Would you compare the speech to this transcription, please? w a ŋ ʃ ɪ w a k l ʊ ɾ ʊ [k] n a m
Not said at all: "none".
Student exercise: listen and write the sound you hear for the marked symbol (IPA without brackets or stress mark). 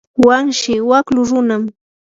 none